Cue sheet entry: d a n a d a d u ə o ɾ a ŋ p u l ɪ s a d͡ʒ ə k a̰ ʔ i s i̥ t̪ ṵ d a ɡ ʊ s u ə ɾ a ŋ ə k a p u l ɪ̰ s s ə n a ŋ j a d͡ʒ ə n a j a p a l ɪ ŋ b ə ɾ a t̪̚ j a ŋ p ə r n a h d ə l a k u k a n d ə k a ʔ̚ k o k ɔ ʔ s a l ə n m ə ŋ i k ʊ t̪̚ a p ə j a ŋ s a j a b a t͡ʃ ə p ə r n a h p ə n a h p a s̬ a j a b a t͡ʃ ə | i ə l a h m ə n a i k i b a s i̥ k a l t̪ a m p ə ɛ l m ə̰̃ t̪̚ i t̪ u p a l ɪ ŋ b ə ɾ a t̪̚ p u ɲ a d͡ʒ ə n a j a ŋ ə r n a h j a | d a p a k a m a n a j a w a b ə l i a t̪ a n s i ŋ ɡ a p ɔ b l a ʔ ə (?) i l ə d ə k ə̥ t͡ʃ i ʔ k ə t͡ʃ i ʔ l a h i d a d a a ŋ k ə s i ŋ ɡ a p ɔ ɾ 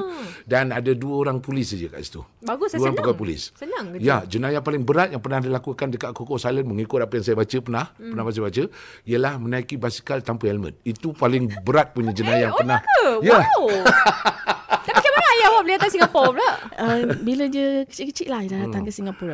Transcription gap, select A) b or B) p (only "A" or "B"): A